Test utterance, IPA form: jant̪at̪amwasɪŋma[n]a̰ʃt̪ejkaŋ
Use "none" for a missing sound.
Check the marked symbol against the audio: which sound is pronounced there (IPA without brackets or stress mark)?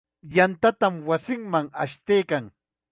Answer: ŋ